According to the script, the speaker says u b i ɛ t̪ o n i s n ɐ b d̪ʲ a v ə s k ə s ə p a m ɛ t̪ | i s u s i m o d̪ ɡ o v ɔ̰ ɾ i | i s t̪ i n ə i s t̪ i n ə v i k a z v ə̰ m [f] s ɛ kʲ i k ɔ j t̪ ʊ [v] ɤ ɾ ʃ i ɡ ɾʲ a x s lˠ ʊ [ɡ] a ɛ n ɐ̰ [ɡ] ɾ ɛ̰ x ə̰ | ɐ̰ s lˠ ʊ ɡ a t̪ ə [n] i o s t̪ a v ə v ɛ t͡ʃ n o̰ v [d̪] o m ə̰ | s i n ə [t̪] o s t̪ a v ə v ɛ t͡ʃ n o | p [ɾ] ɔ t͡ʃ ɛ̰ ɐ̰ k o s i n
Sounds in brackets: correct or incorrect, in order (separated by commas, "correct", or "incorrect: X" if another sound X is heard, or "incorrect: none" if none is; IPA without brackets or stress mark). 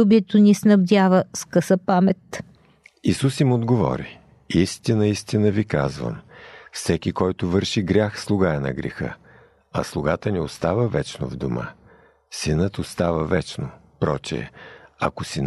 correct, correct, correct, correct, correct, correct, correct, correct